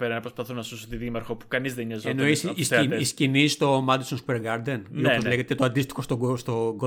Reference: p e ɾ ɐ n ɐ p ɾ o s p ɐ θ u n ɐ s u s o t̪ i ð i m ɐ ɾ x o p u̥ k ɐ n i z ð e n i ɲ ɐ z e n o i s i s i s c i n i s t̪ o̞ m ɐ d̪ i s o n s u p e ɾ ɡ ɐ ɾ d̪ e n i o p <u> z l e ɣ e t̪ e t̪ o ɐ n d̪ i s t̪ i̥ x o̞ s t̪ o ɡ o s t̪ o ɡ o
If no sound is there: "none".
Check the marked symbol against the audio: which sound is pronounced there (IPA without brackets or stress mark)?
o